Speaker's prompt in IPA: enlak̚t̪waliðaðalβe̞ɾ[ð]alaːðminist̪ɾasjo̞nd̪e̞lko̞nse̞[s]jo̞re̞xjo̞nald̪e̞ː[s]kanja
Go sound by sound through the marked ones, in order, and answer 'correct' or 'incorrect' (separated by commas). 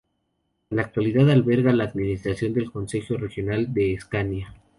incorrect, incorrect, correct